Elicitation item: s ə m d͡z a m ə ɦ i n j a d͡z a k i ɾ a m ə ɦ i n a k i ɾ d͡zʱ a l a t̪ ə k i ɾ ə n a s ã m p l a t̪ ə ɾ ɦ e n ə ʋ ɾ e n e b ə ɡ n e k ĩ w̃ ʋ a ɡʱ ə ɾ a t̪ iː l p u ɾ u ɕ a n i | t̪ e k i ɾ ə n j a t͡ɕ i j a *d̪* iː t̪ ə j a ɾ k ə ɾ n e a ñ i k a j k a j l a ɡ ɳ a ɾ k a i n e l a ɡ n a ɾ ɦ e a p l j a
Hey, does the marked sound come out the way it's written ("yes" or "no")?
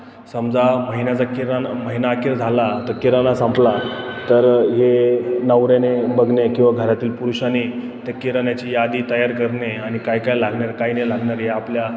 yes